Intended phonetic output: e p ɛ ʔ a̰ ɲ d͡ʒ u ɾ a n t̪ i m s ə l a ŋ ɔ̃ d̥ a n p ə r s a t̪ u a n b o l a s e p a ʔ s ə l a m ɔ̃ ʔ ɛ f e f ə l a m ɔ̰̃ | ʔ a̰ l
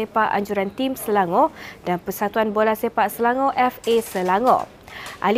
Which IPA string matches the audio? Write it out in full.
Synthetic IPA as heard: e p a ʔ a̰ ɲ d͡ʒ u ɾ a n t̪ i m s ə l a ŋ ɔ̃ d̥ a n p ə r s a t̪ u a n b o l a s e p a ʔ s ə l a ŋ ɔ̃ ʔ ɛ f e s ə l a ŋ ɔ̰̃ | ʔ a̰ l